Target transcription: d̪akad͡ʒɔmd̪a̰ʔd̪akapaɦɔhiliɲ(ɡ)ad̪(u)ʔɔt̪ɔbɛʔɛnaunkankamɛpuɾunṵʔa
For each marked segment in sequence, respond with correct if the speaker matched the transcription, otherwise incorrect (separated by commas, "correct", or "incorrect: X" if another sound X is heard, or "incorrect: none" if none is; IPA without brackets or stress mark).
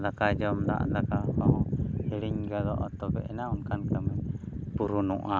correct, incorrect: ɔ